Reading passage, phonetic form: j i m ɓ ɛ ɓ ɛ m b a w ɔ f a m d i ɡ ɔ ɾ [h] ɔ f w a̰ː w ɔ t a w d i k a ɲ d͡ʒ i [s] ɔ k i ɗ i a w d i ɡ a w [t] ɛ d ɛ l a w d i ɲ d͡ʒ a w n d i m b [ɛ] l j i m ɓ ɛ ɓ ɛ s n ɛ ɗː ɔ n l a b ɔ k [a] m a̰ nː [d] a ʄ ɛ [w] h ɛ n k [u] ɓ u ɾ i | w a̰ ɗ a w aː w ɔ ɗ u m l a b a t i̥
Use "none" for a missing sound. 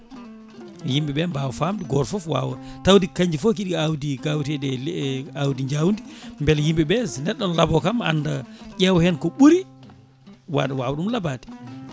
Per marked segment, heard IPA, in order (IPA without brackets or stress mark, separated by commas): f, f, t, ɛ, a, d, w, ɔ